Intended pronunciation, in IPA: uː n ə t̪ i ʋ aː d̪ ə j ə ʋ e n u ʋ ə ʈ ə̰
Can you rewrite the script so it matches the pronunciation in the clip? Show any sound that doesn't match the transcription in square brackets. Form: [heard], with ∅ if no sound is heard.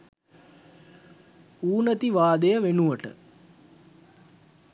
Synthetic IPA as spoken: uː n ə t̪ i ʋ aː d̪ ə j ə ʋ e n u ʋ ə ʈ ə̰

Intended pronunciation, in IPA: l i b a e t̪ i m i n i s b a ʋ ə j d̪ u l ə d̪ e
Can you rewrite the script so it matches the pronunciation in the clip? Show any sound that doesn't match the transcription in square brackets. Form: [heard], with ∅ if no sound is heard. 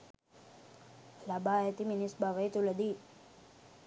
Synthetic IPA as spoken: l [a] b a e t̪ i m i n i s b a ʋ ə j [t̪] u l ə d̪ [i]

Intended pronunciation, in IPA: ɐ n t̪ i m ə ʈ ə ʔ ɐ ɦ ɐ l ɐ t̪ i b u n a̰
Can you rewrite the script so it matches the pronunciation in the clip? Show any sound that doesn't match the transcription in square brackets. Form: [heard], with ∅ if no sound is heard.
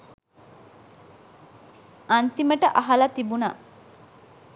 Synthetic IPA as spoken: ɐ n t̪ i m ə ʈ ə ʔ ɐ ɦ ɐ l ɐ t̪ i b u n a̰

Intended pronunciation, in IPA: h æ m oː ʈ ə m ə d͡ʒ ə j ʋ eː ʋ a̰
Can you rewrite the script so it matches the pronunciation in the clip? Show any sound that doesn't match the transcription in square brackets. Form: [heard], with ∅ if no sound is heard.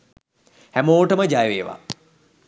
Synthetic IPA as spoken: h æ m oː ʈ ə m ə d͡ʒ [a] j ʋ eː ʋ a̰

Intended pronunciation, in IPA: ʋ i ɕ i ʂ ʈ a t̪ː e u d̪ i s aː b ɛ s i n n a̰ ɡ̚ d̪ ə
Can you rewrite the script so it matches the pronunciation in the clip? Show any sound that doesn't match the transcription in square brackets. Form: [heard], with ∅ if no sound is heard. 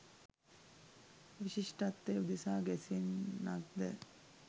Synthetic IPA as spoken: ʋ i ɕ i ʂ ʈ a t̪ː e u d̪ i s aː [ɡ] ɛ s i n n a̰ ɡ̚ d̪ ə

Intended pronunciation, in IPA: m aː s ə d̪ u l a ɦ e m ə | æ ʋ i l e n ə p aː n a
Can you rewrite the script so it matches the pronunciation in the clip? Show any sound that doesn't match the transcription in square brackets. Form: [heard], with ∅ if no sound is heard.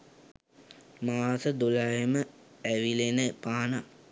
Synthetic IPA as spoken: m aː s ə d̪ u l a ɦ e m ə | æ ʋ i l e n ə p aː n a

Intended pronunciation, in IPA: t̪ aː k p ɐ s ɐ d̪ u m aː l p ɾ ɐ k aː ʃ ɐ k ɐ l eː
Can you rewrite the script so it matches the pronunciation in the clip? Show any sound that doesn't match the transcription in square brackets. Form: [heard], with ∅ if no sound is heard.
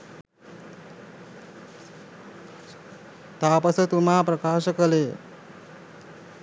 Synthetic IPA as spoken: t̪ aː [∅] p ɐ s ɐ [t̪] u m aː [∅] p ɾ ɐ k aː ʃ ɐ k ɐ l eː

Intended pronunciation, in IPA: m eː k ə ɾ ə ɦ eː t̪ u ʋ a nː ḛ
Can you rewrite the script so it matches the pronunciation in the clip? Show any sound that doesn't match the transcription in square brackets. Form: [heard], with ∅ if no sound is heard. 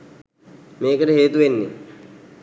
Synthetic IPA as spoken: m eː k ə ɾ ə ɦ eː t̪ u ʋ [e] nː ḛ

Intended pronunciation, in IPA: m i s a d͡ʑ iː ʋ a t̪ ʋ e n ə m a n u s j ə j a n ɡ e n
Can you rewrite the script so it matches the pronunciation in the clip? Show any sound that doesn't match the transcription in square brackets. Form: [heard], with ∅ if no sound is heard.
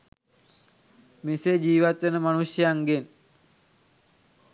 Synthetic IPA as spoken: m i s [e] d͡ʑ iː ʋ a t̪ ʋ e n ə m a n u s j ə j a [ŋ] ɡ e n

